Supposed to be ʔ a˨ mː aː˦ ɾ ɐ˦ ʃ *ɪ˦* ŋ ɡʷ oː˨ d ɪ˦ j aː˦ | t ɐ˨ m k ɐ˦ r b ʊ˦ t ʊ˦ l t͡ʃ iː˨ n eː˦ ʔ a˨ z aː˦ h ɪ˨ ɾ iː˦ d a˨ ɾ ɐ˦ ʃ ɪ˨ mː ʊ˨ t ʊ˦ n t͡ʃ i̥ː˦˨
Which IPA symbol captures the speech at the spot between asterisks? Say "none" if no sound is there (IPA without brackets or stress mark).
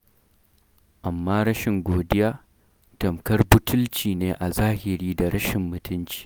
ɪ˨